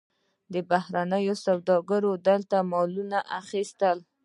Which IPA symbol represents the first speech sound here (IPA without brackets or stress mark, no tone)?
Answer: d̪